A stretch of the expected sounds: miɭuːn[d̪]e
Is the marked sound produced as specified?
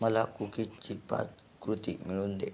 yes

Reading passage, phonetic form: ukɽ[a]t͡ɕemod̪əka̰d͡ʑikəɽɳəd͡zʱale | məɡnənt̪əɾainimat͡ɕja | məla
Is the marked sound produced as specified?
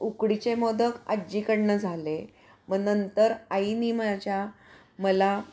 no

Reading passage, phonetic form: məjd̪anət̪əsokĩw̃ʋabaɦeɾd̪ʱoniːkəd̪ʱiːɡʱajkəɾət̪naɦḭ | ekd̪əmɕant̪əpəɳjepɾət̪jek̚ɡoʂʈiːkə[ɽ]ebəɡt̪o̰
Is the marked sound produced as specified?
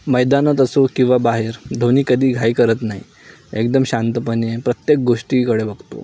yes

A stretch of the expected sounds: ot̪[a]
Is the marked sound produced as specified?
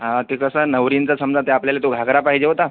yes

